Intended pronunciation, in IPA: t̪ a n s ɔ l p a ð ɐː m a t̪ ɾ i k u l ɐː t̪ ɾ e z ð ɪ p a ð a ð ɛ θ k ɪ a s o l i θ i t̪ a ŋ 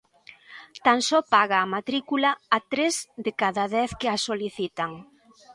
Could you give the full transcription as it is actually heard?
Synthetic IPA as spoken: t̪ a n s ɔ p a ɣ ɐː m a t̪ ɾ i k u l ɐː t̪ ɾ e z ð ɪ k a ð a ð ɛ θ k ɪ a s o l i θ i t̪ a ŋ